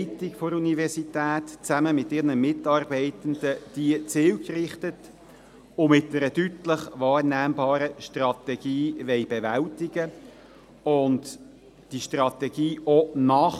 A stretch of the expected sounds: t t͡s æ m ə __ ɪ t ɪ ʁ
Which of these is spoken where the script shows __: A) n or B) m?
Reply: B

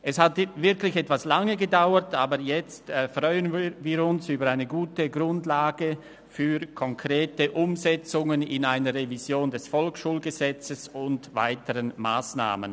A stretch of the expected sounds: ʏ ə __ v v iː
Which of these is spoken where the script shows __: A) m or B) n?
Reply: B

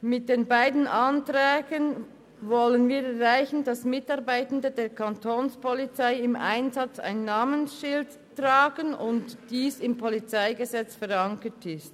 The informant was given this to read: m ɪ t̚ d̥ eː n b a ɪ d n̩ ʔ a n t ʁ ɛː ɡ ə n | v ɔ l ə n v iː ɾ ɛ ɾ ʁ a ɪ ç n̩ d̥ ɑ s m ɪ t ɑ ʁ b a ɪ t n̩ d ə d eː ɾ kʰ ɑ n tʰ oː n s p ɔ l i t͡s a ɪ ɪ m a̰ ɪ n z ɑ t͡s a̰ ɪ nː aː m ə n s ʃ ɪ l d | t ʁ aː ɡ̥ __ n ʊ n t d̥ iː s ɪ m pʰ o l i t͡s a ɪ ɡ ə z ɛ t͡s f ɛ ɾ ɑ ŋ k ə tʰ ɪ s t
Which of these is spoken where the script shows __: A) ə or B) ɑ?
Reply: A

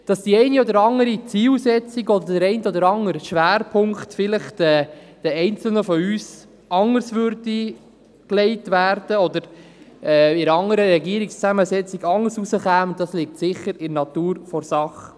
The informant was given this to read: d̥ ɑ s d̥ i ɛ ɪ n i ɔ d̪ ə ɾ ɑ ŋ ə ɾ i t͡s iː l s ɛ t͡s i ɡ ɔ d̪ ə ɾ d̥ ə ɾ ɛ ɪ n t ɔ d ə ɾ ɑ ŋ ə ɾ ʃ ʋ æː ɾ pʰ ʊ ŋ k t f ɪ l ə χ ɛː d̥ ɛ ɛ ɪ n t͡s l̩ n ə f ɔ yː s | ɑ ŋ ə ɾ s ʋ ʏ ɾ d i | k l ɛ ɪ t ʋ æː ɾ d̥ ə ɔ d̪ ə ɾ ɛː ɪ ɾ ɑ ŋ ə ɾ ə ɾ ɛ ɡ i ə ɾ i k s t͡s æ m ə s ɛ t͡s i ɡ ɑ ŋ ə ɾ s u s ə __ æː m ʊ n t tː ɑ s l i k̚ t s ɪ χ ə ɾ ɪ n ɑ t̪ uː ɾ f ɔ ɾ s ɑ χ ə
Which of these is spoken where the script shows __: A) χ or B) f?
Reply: A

